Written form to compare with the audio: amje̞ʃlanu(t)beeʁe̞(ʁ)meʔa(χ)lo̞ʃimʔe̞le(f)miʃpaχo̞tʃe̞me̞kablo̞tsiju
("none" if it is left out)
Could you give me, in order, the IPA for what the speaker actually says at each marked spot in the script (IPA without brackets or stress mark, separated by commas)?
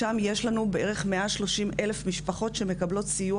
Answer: none, χ, ʃ, f